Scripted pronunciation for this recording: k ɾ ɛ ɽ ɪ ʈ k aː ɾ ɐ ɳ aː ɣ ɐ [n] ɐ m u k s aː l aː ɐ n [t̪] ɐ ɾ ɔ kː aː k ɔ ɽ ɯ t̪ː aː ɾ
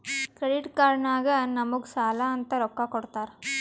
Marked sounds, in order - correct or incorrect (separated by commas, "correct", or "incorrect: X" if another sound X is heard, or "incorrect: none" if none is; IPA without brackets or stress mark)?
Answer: correct, correct